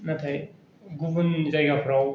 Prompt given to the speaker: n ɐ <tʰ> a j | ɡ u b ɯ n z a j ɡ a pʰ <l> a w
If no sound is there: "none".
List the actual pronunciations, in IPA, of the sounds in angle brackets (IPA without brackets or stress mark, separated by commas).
tʰ, ɾ